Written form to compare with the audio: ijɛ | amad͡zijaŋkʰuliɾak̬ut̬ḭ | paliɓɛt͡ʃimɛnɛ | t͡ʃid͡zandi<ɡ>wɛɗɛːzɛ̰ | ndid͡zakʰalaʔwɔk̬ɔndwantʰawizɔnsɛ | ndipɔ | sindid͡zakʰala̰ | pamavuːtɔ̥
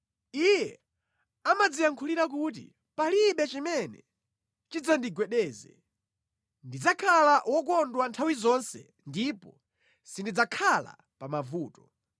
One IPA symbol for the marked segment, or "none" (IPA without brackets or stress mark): ɡ